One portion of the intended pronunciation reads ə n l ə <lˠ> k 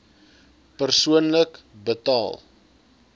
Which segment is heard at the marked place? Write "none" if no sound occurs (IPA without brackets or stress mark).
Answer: none